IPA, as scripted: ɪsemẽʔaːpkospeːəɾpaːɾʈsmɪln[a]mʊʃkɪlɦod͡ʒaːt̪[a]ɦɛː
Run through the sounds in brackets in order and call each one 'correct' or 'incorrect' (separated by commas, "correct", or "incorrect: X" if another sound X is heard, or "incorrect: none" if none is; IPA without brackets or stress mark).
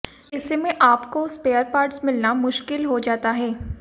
correct, correct